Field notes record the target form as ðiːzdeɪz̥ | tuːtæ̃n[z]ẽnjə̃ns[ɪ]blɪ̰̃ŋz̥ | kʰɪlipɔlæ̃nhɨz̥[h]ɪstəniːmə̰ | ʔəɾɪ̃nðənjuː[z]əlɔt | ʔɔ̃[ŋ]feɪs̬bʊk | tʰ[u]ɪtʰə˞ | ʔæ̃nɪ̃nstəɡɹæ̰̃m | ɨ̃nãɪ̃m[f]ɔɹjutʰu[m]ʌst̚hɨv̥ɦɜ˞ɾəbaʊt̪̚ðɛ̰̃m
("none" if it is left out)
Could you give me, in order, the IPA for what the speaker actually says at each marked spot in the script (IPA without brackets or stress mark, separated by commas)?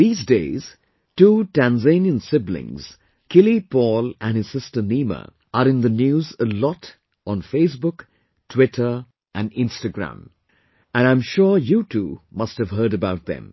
z, ɪ, s, z, n, w, ʃ, m